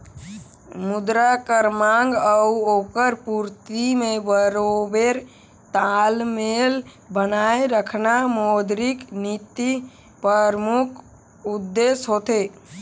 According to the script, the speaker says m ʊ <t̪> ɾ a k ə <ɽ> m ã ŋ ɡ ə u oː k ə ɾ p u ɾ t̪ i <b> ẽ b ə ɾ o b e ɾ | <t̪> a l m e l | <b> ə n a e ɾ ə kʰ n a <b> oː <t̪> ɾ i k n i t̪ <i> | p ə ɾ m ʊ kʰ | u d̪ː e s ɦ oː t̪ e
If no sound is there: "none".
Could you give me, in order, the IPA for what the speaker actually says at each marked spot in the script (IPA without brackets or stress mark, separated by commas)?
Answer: d̪, ɾ, m, t̪, b, m, d̪, i